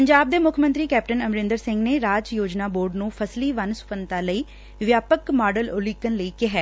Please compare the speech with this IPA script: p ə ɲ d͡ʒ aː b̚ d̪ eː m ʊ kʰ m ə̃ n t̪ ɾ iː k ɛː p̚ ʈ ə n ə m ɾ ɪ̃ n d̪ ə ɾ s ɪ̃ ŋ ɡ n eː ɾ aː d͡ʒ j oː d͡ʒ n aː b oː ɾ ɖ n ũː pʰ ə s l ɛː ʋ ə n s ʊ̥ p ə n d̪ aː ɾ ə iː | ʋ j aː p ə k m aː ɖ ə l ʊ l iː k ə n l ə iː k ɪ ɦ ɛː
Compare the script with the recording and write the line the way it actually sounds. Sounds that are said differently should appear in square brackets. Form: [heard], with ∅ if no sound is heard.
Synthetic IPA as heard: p ə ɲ d͡ʒ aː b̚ d̪ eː m ʊ kʰ m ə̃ n t̪ ɾ iː k ɛː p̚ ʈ ə n ə m ɾ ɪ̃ n d̪ ə ɾ s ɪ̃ ŋ ɡ n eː ɾ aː d͡ʒ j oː d͡ʒ n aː b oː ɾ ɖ n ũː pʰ ə s l [iː] ʋ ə n s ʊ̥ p ə n [t̪] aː [l] ə iː | ʋ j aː p ə k m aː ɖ ə l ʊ l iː k ə n l ə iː k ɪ ɦ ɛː